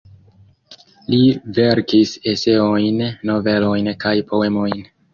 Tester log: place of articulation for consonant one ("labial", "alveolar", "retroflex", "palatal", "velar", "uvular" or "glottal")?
alveolar